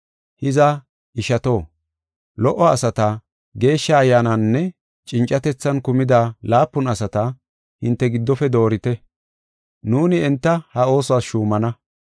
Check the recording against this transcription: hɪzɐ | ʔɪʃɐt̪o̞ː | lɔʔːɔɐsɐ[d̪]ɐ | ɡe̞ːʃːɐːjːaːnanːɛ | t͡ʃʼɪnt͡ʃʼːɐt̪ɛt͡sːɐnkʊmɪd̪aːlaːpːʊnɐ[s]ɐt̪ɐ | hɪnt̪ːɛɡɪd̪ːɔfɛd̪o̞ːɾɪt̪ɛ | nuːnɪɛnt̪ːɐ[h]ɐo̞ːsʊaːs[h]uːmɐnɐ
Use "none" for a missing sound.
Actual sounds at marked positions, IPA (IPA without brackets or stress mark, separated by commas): t̪, s, h, ʃ